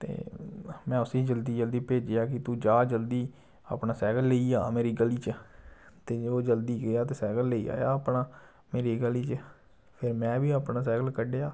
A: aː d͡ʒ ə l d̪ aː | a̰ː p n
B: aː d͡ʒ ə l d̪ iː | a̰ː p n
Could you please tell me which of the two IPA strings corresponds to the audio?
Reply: B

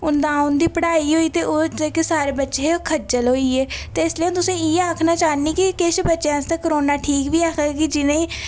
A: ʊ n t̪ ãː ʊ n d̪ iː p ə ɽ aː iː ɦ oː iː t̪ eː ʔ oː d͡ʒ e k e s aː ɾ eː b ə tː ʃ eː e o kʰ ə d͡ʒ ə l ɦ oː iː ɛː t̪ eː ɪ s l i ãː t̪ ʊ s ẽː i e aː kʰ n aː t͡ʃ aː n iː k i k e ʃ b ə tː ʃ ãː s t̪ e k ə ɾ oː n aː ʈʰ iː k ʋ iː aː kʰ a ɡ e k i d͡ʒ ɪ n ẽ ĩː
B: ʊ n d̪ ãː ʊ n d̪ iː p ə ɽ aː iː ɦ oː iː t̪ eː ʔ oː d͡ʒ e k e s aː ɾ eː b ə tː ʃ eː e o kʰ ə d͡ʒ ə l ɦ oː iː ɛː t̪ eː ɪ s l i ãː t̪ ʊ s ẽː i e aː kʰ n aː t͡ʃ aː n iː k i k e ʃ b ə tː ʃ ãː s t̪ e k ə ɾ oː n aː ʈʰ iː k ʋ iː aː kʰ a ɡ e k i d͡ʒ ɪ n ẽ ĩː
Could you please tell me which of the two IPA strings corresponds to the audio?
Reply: B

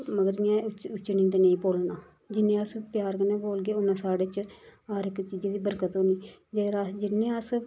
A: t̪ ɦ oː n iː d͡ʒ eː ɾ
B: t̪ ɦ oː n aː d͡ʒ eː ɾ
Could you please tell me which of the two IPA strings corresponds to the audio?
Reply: A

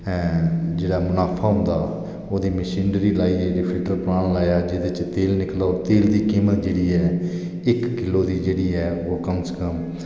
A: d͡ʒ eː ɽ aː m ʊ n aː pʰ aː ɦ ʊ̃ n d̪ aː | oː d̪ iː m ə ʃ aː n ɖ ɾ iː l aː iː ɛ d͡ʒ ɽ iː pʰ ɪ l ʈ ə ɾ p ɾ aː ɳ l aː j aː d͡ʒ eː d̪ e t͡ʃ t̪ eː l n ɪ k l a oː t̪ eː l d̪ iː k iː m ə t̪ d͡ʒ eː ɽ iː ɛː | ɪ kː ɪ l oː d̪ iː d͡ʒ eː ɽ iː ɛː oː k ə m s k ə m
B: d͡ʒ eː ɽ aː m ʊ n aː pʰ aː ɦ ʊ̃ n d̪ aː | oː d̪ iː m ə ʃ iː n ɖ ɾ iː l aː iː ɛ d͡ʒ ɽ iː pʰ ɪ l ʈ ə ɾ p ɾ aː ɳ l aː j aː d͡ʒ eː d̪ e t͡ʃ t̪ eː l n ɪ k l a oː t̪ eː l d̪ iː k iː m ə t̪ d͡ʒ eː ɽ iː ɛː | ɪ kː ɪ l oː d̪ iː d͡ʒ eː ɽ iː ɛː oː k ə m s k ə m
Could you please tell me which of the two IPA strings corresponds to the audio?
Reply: B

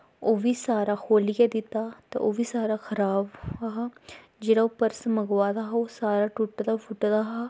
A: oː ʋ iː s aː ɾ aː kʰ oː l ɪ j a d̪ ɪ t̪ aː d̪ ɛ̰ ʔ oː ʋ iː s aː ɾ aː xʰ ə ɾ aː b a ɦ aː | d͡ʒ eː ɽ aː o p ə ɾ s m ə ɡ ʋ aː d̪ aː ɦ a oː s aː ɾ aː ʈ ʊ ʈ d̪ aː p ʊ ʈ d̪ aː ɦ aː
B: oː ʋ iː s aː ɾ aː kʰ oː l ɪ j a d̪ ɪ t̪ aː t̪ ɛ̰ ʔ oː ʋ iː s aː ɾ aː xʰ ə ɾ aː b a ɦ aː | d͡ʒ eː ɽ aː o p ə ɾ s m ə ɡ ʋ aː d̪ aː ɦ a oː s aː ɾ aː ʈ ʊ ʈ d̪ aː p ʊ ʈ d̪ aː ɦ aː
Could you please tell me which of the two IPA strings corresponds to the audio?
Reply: B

